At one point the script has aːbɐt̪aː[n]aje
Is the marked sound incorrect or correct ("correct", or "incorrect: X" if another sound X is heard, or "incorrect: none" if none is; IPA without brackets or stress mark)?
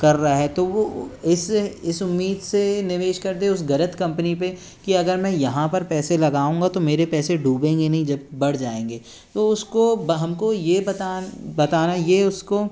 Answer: correct